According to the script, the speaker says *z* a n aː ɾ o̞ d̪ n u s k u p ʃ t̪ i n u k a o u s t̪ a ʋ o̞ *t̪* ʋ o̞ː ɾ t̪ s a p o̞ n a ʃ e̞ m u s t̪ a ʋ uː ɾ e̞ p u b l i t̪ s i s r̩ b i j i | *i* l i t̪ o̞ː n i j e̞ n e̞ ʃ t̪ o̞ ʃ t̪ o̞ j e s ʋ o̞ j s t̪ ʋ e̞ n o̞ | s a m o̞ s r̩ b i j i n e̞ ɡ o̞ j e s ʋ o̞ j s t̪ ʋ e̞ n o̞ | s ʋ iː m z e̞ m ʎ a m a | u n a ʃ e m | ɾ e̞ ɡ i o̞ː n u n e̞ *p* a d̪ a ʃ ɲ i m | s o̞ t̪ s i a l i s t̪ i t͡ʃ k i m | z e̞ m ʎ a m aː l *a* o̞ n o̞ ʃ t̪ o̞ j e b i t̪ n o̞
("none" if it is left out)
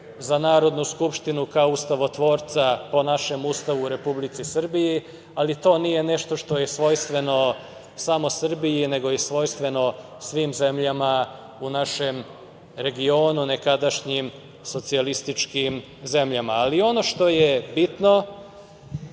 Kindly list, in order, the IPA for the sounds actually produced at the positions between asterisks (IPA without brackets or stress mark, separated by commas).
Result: z, t̪, a, k, i